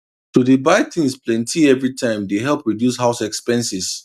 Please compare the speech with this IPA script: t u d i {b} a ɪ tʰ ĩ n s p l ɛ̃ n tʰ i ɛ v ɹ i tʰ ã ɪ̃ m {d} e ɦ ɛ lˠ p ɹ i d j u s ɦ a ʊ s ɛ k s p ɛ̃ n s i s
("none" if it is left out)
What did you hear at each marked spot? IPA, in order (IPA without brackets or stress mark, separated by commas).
b, d